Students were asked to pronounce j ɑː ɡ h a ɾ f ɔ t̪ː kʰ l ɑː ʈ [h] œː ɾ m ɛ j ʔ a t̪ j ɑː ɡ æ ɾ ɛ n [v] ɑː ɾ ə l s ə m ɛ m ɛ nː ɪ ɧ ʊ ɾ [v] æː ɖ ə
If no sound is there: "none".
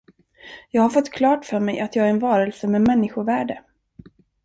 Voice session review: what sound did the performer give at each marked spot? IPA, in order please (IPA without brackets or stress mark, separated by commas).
f, v, v